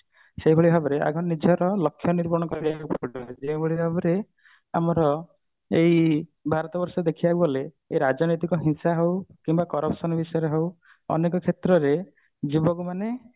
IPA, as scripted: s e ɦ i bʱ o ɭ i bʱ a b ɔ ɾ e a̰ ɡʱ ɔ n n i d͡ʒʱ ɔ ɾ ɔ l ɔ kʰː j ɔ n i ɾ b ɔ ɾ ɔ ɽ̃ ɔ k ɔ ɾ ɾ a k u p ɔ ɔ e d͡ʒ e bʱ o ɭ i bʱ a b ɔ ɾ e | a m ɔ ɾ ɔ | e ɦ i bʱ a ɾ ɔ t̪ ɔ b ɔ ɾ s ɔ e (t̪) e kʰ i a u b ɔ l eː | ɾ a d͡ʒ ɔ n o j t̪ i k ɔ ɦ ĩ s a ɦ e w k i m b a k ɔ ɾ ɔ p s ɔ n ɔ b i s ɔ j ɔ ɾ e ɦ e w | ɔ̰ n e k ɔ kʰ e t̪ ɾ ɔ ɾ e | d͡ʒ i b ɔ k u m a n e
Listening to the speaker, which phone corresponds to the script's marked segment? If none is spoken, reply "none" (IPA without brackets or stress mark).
d̪